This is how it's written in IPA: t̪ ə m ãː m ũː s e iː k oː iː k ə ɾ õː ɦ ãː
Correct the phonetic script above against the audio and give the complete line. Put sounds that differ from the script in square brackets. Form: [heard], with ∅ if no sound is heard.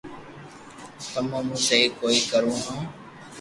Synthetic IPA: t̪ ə m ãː m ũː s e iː k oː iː k ə ɾ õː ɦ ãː